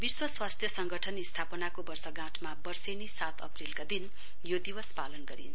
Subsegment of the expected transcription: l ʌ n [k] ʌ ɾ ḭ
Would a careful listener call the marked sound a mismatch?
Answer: yes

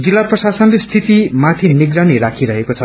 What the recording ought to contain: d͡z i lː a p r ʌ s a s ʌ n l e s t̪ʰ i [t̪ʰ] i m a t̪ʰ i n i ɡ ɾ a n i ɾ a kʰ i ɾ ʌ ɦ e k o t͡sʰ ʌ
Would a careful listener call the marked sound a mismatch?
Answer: yes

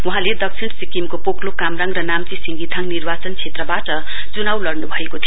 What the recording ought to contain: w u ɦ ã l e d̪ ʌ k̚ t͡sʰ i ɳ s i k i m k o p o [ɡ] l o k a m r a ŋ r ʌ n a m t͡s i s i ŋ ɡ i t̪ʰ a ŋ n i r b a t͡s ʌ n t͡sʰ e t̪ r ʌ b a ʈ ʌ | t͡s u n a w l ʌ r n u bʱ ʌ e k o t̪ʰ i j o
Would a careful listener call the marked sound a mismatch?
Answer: yes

